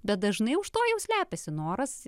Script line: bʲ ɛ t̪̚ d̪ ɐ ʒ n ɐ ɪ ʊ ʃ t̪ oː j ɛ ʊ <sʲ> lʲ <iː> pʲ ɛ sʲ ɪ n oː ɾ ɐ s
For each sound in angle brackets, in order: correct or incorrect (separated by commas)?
correct, incorrect